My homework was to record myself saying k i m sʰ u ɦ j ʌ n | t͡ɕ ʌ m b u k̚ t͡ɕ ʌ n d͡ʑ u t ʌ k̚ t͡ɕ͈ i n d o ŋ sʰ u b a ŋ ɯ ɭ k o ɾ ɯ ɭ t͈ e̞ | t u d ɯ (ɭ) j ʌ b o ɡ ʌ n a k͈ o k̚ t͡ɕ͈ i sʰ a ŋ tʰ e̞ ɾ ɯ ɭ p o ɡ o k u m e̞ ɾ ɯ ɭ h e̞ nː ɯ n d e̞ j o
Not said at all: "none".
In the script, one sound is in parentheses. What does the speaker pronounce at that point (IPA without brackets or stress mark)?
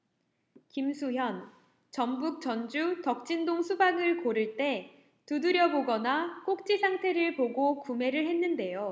ɾ